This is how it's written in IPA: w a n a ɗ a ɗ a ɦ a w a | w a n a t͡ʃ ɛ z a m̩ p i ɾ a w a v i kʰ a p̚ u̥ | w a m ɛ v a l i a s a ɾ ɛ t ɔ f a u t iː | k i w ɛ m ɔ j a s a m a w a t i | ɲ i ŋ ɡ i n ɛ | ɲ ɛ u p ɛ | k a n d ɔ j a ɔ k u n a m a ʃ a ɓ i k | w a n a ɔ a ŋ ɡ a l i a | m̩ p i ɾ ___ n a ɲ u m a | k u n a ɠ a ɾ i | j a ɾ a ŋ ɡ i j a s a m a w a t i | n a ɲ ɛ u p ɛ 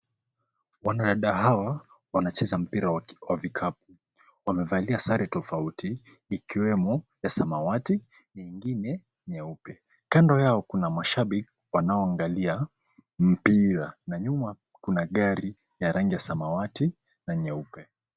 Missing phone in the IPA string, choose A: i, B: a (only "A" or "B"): B